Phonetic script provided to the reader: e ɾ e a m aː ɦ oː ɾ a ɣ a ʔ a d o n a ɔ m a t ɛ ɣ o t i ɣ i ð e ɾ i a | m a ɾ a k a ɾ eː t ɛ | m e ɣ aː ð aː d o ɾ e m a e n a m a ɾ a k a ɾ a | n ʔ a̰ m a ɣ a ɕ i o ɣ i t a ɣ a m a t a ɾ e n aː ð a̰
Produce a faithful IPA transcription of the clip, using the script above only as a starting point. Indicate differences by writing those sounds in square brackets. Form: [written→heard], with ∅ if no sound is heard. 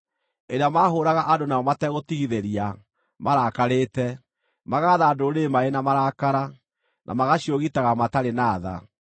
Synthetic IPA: e ɾ e a m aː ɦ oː ɾ a ɣ a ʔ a d o n a ɔ m a t ɛ ɣ o t i ɣ i ð e ɾ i a | m a ɾ a k a ɾ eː t ɛ | m [e→a] ɣ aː ð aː d o ɾ e m a e n a m a ɾ a k a ɾ a | n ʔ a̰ m a ɣ a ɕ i o ɣ i t a ɣ a m a t a ɾ e n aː ð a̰